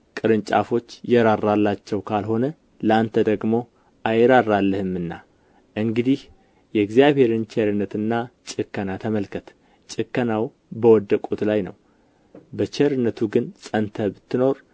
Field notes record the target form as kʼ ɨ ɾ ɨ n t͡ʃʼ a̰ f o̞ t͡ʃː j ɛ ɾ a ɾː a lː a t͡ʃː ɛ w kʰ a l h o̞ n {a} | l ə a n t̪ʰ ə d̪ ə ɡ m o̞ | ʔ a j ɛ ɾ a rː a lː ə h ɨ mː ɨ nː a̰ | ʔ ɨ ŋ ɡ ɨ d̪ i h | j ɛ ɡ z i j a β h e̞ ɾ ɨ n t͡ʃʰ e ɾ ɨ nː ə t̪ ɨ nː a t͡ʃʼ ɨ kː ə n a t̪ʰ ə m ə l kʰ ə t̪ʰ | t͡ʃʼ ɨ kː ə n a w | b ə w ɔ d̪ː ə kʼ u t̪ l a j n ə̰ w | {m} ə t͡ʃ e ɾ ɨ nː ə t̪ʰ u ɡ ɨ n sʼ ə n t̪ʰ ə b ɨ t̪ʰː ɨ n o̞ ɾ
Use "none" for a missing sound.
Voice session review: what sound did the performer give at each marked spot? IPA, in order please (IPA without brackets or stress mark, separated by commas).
ə, b